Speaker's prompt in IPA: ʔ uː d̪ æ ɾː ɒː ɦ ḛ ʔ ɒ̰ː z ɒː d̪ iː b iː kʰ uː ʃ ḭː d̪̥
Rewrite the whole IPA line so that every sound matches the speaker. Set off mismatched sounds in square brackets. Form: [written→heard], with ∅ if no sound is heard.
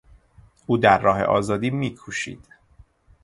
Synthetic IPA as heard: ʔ uː d̪ æ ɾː ɒː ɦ ḛ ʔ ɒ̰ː z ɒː d̪ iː [b→m] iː kʰ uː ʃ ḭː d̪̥